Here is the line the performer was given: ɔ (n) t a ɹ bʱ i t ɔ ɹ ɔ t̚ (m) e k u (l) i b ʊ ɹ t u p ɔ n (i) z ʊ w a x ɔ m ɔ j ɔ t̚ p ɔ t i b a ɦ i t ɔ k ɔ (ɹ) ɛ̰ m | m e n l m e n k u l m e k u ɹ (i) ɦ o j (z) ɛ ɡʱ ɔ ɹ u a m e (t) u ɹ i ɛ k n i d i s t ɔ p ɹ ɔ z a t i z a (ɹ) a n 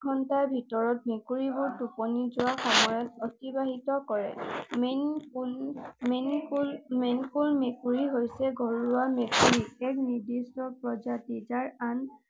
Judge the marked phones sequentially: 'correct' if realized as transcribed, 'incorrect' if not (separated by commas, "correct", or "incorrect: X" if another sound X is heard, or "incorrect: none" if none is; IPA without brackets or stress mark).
correct, correct, incorrect: ɹ, correct, correct, correct, incorrect: s, incorrect: k, correct